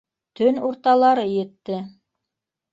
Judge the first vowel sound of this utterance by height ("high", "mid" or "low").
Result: mid